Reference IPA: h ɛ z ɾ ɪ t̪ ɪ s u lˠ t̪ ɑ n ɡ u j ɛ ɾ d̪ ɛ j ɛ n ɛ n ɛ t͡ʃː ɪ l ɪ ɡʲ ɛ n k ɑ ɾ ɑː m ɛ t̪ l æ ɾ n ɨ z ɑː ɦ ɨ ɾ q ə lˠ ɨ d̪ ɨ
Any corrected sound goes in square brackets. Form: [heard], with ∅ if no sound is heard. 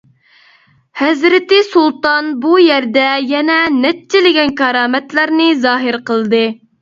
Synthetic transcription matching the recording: h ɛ z ɾ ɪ t̪ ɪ s u lˠ t̪ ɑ n [b] u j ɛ ɾ d̪ ɛ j ɛ n ɛ n ɛ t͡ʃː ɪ l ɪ ɡʲ ɛ n k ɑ ɾ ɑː m ɛ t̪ l æ ɾ n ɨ z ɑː ɦ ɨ ɾ q ə lˠ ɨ d̪ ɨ